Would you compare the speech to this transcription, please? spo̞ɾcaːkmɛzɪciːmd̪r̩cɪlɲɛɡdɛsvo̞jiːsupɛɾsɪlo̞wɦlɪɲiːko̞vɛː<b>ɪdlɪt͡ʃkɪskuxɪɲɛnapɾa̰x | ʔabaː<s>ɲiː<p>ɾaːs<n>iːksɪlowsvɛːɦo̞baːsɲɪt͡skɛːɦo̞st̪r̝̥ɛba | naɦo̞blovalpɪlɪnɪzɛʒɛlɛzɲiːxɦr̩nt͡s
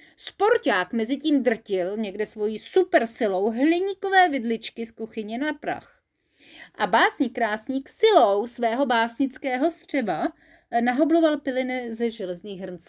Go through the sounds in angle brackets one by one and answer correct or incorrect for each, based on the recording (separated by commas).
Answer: incorrect, correct, incorrect, incorrect